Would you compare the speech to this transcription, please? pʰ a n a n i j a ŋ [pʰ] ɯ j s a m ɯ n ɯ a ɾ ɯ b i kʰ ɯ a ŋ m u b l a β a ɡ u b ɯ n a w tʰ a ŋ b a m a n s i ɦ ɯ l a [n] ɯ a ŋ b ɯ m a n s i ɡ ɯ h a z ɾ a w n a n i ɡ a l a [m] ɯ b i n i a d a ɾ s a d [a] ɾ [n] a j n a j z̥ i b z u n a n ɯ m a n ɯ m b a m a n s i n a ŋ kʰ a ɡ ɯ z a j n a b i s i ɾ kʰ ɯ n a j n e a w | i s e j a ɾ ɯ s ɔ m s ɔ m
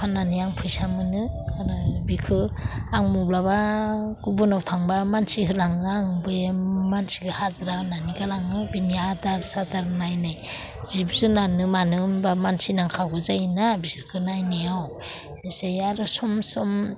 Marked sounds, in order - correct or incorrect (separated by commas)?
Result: correct, incorrect, incorrect, correct, correct